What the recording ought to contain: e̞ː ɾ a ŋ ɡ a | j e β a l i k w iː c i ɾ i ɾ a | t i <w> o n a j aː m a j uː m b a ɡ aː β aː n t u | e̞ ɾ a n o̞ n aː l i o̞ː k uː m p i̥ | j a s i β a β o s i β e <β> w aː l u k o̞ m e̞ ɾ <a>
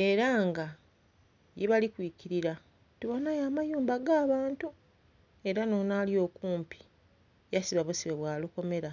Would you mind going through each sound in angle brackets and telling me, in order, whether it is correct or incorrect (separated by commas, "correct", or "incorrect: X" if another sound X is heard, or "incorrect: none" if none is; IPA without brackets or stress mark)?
incorrect: β, correct, correct